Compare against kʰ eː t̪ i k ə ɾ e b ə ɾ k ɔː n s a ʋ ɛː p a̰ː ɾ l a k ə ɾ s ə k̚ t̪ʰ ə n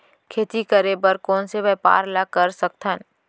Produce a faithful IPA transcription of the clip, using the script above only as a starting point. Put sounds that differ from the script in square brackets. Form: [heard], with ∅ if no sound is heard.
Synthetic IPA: kʰ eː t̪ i k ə ɾ e b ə ɾ k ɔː n s [e] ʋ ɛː p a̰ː ɾ l a k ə ɾ s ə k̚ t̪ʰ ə n